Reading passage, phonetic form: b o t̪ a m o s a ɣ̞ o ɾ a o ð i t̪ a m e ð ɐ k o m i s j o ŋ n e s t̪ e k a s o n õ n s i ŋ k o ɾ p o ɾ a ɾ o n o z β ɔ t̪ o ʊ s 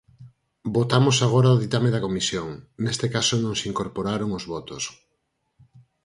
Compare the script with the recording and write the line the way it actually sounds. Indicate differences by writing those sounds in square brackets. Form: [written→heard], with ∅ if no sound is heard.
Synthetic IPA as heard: b o t̪ a m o s a ɣ̞ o ɾ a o ð i t̪ a m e ð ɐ k o m i s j o ŋ n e s t̪ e k a s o n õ [n→ŋ] s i ŋ k o ɾ p o ɾ a ɾ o [n→ŋ] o z β ɔ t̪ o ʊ s